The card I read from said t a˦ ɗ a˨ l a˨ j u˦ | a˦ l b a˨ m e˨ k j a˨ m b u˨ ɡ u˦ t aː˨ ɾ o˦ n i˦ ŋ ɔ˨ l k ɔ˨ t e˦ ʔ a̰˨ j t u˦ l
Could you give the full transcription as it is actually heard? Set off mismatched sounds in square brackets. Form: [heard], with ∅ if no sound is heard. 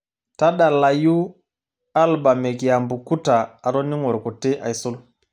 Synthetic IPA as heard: t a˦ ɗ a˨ l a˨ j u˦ | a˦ l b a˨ m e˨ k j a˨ m b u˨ [k] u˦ t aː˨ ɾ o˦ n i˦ ŋ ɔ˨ [ɾ] k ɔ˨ t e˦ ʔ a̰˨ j [s] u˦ l